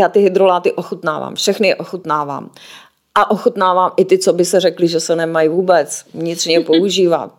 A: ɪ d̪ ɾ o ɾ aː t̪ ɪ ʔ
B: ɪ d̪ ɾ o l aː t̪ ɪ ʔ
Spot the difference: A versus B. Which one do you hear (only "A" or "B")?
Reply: B